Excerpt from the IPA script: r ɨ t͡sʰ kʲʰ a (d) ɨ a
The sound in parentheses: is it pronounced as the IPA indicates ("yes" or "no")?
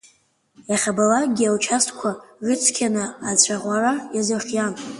no